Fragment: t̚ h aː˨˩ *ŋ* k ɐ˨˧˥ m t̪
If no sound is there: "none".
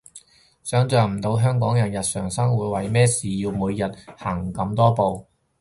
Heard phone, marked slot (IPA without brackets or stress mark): ŋ